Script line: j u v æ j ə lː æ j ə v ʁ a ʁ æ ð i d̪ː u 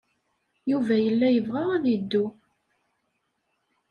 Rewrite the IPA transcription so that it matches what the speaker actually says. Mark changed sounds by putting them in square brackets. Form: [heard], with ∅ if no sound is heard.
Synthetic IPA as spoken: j u v æ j ə lː æ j ə v ʁ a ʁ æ ð i d̪ː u